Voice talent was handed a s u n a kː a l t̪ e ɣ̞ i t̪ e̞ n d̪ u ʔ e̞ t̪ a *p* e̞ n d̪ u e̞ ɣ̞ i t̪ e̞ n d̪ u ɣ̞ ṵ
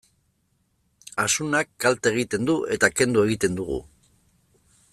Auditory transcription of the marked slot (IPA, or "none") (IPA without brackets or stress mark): k